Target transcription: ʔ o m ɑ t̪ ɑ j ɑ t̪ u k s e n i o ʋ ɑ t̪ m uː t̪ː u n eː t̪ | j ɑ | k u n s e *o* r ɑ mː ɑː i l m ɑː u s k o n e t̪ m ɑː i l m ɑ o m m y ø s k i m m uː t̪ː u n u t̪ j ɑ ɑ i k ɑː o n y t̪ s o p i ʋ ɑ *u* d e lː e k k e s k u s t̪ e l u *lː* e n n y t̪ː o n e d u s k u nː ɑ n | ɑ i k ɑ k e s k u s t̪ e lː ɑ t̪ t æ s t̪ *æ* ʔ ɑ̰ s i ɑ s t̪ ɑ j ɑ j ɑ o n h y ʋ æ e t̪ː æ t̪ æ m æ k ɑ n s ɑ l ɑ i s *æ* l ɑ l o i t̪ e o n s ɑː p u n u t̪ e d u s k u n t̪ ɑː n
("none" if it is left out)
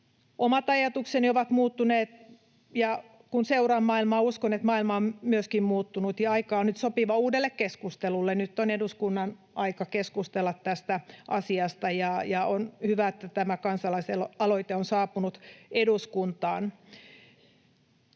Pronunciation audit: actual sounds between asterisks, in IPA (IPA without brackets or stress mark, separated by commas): u, uː, lː, æ, e